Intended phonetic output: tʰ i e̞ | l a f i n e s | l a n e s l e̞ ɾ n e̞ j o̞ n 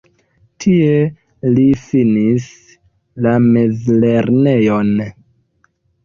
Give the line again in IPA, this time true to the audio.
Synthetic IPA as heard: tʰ i e̞ | l i f i n i s | l a m e z l e̞ ɾ n e̞ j o̞ n

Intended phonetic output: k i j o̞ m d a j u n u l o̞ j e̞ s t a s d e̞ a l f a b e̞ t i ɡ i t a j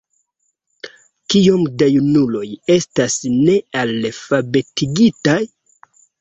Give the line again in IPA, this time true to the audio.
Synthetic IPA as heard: k i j o̞ m d a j u n u l o̞ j e̞ s t a s n e̞ a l f a b e̞ t i ɡ i t a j

